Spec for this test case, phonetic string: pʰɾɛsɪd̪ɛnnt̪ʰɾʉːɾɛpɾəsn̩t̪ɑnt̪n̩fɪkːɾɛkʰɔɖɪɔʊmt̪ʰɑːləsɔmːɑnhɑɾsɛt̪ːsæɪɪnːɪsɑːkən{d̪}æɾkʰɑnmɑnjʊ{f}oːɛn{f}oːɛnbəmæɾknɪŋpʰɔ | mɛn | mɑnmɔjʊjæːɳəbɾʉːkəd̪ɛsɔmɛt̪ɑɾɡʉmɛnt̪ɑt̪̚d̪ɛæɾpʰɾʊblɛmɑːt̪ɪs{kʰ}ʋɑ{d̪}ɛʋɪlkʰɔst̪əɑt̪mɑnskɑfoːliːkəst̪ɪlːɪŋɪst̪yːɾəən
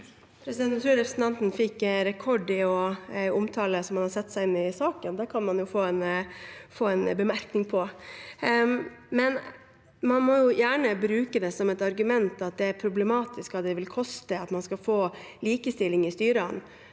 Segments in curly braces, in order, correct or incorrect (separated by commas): correct, correct, correct, incorrect, correct